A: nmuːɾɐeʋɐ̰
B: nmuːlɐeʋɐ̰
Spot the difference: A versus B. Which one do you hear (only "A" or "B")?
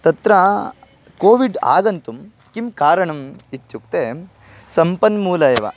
B